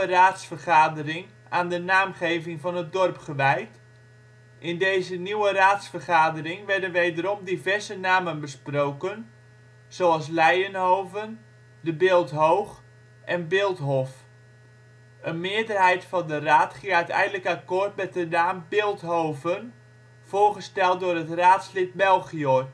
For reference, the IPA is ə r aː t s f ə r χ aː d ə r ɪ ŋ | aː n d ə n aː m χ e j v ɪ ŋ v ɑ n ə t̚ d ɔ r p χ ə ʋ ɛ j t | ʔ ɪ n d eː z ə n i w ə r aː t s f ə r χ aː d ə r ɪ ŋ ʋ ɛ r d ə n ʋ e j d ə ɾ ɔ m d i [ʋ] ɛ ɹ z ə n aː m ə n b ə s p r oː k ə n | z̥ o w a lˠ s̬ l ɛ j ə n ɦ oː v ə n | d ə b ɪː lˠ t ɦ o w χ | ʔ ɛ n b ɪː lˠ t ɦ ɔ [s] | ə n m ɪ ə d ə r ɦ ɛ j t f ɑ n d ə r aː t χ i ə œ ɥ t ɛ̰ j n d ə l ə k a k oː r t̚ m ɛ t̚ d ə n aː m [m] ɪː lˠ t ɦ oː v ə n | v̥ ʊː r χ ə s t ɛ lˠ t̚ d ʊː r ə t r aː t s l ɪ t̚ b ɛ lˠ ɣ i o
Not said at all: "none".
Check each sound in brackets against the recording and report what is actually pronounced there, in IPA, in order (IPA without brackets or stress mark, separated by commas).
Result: v, f, b